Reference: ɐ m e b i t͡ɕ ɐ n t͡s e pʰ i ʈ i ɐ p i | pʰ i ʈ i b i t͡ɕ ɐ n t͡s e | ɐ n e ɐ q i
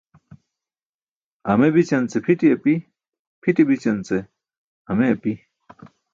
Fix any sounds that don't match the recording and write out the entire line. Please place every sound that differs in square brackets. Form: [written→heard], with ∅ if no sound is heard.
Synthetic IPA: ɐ m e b i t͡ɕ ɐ n t͡s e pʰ i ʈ i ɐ p i | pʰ i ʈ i b i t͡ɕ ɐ n t͡s e | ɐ [n→m] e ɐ [q→p] i